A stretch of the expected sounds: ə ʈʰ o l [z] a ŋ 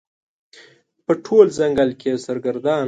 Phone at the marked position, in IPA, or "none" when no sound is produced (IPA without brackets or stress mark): z